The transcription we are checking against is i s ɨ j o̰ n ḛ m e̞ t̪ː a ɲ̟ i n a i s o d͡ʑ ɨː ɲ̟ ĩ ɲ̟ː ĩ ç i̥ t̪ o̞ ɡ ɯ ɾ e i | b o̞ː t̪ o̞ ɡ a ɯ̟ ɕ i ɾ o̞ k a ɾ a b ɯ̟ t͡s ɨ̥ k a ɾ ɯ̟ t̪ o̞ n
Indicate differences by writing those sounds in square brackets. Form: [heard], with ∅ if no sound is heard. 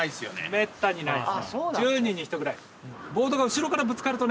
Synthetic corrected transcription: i s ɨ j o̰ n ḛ m e̞ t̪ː a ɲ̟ i n a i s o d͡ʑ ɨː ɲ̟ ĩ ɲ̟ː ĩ ç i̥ t̪ o̞ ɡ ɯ ɾ [a] i | b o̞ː [d̪] o̞ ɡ a ɯ̟ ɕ i ɾ o̞ k a ɾ a b ɯ̟ t͡s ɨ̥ k a ɾ ɯ̟ t̪ o̞ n